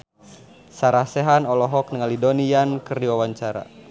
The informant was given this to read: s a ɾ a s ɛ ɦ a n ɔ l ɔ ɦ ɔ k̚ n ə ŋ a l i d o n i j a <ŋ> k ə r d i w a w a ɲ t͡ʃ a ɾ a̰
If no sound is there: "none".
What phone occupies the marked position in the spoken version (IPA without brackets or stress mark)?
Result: n